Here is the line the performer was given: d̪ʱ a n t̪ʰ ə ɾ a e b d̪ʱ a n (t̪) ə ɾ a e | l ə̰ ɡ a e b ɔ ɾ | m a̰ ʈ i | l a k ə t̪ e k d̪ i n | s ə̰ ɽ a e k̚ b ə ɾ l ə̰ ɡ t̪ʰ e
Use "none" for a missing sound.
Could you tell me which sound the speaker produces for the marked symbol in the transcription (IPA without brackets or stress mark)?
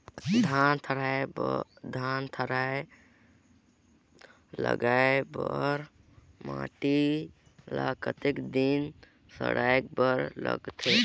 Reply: t̪ʰ